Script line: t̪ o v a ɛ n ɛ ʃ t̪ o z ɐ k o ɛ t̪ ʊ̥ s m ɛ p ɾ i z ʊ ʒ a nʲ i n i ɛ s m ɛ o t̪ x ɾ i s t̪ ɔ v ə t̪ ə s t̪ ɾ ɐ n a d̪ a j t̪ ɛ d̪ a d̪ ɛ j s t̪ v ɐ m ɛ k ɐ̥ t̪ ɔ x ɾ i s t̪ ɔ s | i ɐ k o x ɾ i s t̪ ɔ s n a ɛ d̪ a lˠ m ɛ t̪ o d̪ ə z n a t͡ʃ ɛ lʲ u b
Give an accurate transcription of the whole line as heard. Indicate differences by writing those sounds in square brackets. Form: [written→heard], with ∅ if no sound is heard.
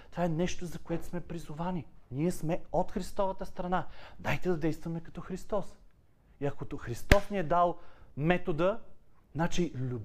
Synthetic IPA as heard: t̪ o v a ɛ n ɛ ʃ t̪ o z ɐ k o ɛ t̪ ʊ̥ s m ɛ p ɾ i z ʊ [ʒ→v] a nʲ i n i ɛ s m ɛ o t̪ x ɾ i s t̪ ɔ v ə t̪ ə s t̪ ɾ ɐ n a d̪ a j t̪ ɛ d̪ [a→ɐ] d̪ ɛ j s t̪ v ɐ m ɛ k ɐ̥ t̪ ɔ x ɾ i s t̪ ɔ s | i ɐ k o x ɾ i s t̪ ɔ s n [a→i] ɛ d̪ a lˠ m ɛ t̪ o d̪ ə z n a t͡ʃ [ɛ→i] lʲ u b